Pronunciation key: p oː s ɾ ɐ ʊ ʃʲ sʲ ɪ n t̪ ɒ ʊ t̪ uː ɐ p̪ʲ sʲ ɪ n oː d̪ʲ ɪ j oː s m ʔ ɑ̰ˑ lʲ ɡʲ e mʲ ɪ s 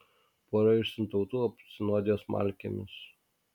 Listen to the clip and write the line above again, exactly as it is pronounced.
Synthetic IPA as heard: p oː ɾ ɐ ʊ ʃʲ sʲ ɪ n t̪ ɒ ʊ t̪ uː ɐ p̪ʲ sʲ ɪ n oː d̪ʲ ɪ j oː s m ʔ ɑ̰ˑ lʲ kʲ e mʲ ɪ s